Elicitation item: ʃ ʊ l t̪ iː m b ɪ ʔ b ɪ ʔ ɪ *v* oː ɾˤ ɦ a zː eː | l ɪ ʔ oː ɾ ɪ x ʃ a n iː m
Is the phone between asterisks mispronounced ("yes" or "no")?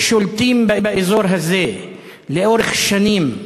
yes